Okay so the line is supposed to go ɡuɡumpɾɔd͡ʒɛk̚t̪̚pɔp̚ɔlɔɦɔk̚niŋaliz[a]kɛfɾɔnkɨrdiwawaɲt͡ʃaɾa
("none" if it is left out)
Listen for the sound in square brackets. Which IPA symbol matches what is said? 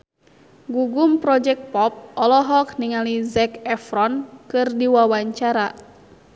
ɛ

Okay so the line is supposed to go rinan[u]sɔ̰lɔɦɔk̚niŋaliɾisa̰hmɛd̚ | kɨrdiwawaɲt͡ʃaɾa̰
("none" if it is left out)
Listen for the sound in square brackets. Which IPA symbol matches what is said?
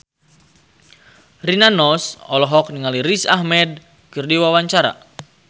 ɔ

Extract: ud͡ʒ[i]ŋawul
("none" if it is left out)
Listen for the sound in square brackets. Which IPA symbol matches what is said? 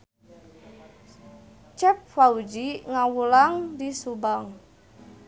i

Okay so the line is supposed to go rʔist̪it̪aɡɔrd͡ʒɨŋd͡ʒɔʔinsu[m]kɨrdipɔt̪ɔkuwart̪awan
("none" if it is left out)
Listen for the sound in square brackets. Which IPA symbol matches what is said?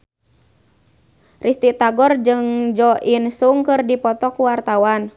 ŋ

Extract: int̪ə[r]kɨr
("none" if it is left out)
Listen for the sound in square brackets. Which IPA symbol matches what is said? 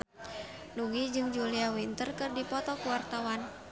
r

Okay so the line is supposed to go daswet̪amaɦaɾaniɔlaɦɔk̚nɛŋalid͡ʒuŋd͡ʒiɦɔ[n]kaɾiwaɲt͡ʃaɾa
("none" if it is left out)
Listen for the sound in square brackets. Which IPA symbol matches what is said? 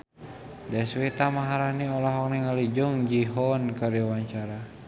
n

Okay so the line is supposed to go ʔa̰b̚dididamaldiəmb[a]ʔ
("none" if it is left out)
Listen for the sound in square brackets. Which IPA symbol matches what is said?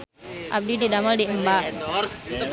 a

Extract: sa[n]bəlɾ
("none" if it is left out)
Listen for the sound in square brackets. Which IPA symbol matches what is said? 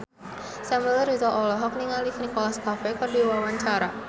m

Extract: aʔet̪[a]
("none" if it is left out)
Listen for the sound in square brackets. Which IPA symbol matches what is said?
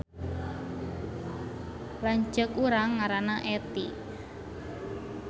i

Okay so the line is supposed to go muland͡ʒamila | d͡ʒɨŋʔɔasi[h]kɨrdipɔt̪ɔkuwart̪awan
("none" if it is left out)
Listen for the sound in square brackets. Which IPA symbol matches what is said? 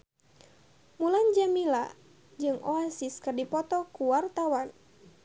s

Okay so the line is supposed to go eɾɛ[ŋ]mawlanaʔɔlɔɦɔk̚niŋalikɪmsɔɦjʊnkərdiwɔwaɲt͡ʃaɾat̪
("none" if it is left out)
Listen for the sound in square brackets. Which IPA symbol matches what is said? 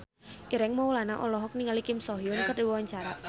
ŋ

